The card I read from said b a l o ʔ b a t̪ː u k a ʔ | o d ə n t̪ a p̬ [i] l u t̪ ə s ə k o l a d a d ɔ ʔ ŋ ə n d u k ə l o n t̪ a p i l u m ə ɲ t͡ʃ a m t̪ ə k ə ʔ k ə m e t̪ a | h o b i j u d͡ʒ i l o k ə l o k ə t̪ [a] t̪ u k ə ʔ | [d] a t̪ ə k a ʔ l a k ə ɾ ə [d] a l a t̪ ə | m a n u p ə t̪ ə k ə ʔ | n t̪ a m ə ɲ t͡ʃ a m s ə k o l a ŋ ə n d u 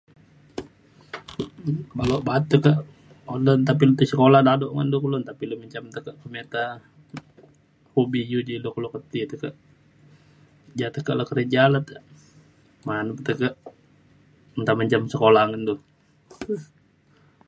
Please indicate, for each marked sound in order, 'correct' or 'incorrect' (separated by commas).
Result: correct, incorrect, incorrect, incorrect